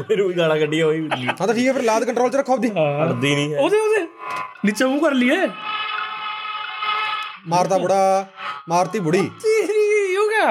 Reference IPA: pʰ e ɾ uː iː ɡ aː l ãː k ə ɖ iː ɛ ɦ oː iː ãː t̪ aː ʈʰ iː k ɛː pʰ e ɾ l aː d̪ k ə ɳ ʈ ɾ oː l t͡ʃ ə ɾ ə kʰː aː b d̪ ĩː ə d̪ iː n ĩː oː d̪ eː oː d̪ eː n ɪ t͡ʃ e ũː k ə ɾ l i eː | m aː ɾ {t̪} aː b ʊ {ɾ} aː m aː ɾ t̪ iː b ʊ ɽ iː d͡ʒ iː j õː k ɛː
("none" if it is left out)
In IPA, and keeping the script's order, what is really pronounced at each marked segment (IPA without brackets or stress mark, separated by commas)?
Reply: t̪, ɽ